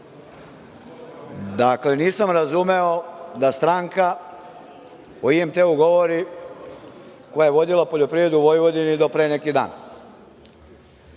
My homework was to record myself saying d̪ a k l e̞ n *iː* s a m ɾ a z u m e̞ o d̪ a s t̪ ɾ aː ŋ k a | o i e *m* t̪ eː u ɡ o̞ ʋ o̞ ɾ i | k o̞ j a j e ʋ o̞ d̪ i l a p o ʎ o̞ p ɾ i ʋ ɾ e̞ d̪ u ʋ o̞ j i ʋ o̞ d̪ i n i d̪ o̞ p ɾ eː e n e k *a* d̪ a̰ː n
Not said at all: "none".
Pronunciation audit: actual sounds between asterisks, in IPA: iː, m, i

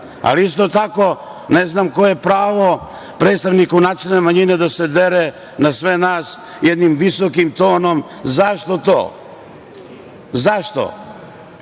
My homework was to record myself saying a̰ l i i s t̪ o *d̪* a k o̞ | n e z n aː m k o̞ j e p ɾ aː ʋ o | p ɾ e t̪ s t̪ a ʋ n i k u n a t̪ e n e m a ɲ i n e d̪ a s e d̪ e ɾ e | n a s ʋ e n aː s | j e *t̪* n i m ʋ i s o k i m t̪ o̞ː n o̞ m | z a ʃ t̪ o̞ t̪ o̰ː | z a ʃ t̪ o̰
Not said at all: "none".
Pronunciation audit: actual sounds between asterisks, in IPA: t̪, d̪

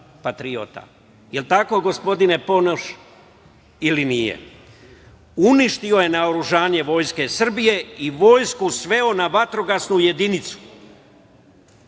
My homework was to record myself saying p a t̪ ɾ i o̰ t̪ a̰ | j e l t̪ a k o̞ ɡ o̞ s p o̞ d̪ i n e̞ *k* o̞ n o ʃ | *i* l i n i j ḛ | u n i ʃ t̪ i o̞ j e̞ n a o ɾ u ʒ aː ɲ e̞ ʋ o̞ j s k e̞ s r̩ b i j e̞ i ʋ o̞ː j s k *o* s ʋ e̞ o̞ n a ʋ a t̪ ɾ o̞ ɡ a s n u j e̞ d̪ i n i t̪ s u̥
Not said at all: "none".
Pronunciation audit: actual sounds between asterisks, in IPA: p, i, u

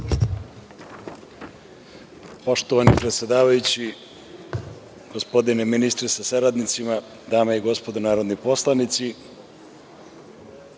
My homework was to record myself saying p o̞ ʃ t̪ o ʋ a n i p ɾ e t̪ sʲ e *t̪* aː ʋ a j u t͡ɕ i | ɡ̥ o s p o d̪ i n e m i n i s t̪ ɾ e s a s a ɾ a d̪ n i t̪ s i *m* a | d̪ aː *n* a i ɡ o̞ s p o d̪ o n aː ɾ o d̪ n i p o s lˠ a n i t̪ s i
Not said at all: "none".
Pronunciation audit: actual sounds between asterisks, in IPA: d̪, m, m

